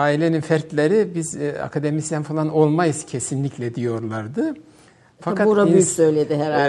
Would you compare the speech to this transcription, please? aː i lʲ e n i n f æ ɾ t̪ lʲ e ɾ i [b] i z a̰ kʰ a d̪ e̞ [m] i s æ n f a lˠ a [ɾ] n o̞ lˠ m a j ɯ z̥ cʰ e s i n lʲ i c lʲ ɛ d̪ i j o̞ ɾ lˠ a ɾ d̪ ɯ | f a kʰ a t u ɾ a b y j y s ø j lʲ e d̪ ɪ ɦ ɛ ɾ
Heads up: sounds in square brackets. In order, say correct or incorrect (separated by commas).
correct, correct, incorrect